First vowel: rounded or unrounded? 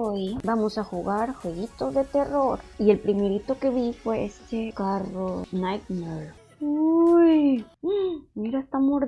rounded